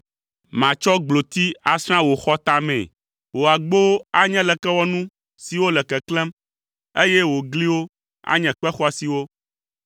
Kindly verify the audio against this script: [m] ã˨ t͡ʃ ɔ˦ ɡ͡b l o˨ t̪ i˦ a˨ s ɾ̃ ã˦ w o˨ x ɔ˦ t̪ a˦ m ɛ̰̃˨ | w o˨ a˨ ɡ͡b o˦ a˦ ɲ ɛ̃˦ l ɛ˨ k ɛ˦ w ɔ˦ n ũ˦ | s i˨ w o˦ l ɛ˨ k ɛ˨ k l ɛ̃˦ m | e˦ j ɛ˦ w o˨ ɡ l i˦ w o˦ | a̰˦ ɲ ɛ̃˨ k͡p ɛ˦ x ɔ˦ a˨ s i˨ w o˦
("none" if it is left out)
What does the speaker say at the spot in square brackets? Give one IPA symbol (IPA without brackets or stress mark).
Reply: m